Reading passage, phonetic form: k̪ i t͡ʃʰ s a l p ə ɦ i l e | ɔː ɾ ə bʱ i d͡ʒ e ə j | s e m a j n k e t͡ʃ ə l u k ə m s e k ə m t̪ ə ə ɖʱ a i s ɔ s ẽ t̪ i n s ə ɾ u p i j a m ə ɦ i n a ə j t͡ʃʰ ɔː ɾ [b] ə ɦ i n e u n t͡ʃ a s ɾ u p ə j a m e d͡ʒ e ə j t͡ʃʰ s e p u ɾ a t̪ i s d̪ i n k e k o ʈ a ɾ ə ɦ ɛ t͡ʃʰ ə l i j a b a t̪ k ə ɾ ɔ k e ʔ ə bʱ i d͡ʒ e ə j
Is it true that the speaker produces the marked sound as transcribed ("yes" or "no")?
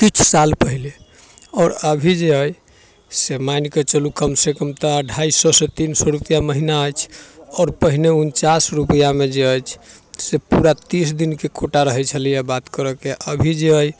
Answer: no